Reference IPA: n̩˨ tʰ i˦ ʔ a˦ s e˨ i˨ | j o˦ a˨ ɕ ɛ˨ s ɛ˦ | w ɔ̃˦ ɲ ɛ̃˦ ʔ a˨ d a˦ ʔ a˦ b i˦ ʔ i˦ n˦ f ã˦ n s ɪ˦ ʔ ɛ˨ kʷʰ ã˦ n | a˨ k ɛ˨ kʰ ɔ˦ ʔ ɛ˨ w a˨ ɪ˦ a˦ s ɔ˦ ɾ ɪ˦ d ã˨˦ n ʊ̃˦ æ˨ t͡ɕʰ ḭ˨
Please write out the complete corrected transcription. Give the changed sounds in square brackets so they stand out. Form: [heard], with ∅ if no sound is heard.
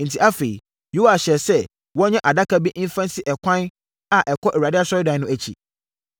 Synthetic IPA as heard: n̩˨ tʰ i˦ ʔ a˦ [f] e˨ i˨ | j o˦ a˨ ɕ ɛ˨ s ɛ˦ | w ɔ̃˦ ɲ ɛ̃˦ ʔ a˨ d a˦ [k] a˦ b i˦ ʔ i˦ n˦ f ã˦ n s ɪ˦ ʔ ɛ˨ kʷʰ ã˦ n | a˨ [ʔ] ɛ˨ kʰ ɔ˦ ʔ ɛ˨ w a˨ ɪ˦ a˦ s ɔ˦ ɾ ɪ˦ d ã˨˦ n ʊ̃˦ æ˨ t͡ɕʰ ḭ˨